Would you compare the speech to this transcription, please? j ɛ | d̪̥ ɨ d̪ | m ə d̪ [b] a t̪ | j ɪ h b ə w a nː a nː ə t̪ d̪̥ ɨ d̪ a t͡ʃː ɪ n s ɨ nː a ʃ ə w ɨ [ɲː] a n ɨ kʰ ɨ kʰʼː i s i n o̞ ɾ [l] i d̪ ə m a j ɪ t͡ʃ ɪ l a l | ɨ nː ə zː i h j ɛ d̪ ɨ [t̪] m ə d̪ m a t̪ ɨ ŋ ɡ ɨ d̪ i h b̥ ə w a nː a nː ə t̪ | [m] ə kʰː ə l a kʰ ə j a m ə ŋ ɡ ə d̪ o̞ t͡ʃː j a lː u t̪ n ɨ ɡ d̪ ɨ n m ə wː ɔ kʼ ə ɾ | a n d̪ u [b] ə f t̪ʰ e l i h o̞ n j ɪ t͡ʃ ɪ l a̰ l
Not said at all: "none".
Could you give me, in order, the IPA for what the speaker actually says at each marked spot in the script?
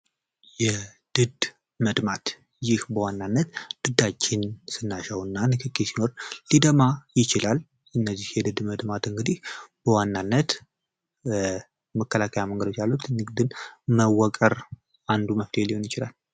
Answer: m, nː, l, d̪, m, m

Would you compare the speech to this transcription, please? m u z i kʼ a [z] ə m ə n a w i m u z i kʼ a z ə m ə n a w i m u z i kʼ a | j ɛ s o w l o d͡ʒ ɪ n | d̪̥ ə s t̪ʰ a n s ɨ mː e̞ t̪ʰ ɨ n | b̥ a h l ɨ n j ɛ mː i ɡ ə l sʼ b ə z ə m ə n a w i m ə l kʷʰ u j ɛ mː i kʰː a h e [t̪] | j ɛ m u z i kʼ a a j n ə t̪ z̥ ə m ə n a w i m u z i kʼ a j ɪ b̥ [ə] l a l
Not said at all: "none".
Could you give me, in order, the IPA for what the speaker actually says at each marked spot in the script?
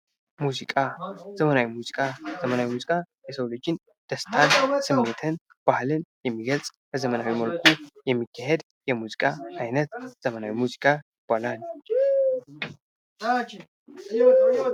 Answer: z, d̪, a

